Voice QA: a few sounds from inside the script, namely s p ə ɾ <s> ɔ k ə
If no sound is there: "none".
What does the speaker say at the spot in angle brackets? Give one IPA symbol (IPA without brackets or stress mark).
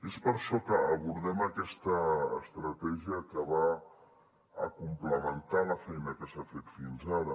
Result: ʃ